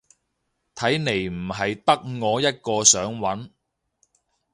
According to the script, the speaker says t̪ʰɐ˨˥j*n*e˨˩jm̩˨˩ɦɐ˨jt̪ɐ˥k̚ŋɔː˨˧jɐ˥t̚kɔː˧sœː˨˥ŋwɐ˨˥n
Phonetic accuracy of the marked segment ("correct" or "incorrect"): correct